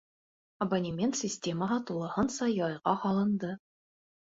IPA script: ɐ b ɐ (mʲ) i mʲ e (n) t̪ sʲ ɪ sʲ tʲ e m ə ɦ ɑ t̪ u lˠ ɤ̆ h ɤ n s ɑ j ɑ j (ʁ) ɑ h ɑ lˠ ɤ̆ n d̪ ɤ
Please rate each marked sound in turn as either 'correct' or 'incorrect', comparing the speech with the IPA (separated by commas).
incorrect, correct, correct